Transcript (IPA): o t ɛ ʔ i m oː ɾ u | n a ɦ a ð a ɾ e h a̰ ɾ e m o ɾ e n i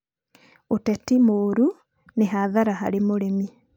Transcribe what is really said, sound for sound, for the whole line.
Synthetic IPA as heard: o t ɛ t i m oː ɾ u | n e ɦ a ð a ɾ a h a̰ ɾ e m o ɾ e m i